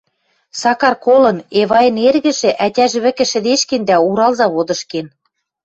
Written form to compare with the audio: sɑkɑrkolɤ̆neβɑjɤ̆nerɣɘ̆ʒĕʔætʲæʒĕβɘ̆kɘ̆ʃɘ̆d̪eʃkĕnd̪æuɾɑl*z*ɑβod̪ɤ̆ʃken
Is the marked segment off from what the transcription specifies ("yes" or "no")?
no